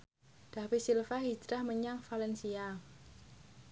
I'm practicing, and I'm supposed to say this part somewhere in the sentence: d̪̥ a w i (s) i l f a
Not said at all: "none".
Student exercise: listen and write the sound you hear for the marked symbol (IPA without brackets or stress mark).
s